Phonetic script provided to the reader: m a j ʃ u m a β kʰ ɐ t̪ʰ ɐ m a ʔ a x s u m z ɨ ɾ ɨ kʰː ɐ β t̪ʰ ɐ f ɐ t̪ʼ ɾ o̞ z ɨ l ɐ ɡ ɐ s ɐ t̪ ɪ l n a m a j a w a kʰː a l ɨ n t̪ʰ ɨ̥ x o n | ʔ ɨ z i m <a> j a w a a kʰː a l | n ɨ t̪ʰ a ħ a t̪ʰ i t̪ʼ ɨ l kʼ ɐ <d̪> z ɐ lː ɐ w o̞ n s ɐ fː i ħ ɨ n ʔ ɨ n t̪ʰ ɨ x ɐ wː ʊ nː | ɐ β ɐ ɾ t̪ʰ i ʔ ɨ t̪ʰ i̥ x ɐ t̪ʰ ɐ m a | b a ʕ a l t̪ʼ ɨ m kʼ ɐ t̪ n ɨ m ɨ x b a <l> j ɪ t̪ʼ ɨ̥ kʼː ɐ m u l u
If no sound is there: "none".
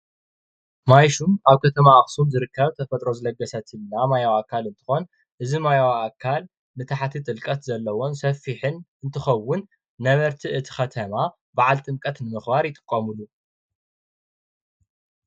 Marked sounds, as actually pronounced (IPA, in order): a, t̪, ɾ

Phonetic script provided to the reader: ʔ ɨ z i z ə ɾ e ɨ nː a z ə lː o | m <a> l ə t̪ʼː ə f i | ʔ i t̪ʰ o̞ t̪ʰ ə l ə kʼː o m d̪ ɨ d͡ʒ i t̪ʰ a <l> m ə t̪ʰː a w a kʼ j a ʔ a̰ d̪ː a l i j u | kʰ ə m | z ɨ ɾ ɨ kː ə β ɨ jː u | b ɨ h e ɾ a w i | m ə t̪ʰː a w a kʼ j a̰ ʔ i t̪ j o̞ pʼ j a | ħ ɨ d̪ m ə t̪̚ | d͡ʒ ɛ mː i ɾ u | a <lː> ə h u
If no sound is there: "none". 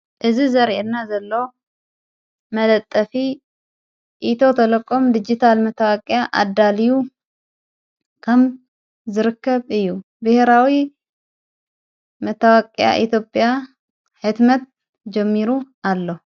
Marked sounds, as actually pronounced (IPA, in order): ə, l, lː

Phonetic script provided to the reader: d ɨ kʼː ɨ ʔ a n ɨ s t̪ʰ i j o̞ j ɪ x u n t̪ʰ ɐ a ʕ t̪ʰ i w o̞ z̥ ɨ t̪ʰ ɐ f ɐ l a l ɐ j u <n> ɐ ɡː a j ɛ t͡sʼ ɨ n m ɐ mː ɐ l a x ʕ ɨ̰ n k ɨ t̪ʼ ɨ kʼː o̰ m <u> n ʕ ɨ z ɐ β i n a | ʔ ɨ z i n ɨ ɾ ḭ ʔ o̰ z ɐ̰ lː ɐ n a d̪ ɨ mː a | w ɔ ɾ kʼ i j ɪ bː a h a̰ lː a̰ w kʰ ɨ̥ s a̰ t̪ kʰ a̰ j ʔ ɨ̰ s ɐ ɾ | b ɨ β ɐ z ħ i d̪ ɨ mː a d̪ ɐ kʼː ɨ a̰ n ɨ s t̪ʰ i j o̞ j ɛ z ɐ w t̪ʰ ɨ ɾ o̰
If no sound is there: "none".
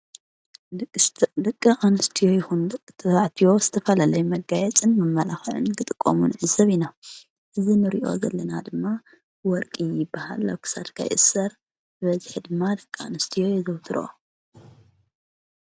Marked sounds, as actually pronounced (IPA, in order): m, u

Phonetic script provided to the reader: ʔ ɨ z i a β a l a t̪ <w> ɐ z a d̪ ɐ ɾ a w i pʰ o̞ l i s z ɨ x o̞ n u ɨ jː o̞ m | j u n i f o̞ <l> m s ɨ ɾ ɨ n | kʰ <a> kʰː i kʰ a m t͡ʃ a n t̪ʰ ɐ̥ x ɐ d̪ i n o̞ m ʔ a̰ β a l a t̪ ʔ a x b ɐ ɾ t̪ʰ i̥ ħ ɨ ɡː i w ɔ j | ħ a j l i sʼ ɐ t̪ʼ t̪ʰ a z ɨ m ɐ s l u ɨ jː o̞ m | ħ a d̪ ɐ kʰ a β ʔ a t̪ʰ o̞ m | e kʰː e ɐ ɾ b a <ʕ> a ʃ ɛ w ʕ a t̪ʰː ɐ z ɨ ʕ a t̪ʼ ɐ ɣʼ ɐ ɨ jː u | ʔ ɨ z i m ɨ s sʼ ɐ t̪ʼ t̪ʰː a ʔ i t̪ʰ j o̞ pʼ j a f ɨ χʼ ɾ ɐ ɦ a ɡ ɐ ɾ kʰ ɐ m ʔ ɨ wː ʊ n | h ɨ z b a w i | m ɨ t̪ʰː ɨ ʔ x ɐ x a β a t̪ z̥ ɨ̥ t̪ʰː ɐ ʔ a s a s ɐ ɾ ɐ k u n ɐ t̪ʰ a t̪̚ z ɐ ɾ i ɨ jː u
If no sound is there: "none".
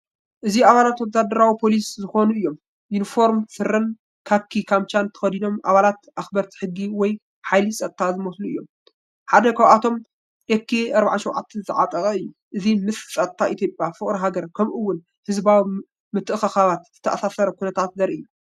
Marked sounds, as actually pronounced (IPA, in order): w, ɾ, a, ʕ

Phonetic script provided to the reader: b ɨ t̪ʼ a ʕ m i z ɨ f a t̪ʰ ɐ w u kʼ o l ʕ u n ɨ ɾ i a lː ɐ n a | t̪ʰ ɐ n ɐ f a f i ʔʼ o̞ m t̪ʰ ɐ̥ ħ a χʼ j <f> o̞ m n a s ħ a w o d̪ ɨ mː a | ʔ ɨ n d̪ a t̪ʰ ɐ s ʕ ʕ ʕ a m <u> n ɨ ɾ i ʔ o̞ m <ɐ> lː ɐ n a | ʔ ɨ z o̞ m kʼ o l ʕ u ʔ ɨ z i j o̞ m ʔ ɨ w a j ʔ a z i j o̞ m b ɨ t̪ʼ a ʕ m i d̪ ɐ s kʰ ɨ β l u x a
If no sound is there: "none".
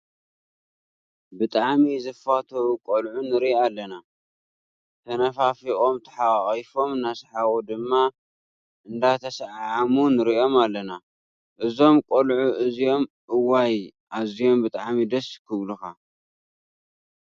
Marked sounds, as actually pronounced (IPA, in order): f, u, a

